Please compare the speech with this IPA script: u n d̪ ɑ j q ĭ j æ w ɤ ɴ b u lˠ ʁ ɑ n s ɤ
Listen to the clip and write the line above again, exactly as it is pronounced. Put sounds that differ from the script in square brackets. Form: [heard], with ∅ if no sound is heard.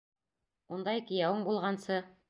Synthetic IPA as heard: u n d̪ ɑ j [k] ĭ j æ w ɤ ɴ b u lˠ ʁ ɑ n s ɤ